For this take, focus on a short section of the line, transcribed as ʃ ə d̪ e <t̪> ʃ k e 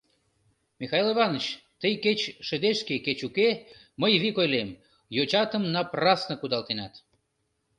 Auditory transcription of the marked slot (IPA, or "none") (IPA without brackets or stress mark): none